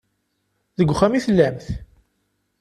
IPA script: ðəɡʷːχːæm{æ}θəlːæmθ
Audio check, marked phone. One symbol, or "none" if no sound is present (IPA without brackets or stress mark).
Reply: i